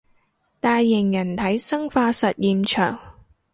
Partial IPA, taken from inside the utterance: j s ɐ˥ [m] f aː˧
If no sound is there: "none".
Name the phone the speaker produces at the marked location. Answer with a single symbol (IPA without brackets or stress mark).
ŋ